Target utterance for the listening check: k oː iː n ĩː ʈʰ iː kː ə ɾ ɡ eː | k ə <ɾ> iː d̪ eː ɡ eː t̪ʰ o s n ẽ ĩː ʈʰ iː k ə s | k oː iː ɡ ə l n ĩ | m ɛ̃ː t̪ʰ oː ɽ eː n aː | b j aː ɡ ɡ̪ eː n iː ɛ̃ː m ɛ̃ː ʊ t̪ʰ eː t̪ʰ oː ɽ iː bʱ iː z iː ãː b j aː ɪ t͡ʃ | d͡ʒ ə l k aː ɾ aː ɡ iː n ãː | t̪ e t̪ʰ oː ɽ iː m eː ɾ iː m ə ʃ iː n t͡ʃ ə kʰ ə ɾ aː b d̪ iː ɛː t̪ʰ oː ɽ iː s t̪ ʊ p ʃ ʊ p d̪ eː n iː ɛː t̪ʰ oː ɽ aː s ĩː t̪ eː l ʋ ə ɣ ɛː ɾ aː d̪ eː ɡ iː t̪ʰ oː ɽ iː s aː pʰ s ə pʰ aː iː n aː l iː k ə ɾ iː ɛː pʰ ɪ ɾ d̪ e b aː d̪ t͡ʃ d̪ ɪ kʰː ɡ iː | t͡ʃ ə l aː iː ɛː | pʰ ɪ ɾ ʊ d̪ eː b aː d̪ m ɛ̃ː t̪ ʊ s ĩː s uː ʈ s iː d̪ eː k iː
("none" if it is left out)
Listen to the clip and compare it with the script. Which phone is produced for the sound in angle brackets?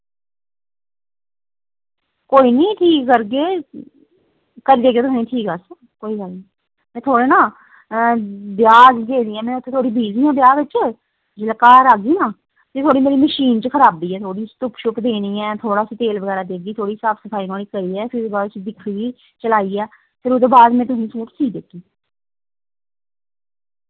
ɾ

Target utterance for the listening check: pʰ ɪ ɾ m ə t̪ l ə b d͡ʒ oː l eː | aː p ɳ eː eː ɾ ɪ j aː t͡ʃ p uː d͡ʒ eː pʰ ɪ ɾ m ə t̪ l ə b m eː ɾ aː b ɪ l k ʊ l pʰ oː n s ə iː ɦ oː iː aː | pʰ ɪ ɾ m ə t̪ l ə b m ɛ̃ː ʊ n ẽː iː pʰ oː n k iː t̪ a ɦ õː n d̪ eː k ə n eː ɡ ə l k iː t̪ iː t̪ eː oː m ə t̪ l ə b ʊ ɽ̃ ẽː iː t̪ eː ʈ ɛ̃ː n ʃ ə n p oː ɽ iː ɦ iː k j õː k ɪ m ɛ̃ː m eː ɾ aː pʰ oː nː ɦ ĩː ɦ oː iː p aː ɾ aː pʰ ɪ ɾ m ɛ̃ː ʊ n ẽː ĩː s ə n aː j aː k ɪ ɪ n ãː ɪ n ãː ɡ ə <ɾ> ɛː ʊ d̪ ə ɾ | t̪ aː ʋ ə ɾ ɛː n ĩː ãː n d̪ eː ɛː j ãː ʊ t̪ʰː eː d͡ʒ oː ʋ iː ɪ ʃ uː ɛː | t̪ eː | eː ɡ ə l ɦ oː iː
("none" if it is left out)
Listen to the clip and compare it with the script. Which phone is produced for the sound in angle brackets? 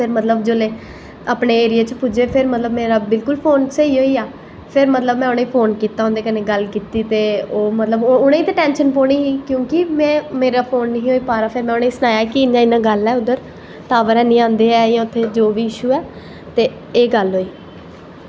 l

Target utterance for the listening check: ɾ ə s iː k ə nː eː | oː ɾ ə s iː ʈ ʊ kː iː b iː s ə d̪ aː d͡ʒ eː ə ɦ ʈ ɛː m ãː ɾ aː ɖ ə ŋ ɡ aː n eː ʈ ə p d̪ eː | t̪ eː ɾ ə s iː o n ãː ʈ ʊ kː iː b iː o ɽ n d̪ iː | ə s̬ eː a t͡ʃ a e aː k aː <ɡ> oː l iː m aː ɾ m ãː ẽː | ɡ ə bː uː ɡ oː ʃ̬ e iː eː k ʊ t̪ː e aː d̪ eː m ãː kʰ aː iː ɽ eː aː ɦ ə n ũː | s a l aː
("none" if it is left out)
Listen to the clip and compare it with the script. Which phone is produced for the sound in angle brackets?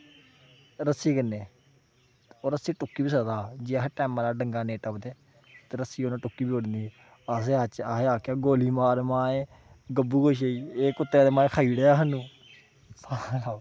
ɡ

